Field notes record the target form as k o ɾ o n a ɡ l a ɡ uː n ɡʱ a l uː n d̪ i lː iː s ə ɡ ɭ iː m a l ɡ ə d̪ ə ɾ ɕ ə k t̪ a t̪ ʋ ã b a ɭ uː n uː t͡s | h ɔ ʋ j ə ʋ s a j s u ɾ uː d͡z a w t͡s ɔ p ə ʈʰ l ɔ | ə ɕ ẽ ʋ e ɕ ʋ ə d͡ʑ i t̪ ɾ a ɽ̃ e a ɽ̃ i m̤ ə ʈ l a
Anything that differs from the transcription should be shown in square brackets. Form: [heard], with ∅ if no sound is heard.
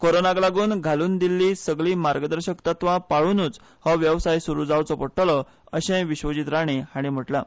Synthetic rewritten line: k o ɾ o n a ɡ l a ɡ uː n ɡʱ a l uː n d̪ i lː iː s ə ɡ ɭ iː m a [ɾ] ɡ ə d̪ ə ɾ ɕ ə k t̪ a t̪ ʋ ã [p] a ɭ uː n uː t͡s | h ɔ ʋ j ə ʋ s a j s u ɾ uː d͡z a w t͡s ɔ p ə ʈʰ l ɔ | ə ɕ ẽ ʋ [i] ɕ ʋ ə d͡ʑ i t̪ ɾ a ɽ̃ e a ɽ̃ i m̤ ə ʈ l a